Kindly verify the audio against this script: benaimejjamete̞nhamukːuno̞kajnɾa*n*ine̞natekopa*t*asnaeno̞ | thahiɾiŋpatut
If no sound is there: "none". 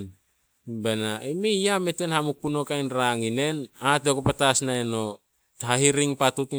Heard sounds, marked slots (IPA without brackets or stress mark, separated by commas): ŋ, t